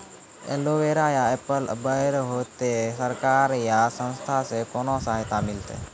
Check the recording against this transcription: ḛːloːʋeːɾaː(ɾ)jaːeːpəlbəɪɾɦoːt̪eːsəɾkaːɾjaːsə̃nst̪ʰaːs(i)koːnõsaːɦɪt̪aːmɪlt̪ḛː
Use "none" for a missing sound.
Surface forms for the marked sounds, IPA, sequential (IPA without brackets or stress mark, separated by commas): none, e